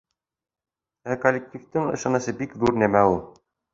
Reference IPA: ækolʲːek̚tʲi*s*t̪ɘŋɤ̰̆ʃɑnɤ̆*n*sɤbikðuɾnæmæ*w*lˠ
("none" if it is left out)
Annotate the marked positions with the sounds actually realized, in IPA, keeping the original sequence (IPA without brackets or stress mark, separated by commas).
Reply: f, none, u